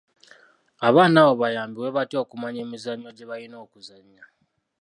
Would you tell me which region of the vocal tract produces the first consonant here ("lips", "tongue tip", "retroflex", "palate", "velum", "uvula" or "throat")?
lips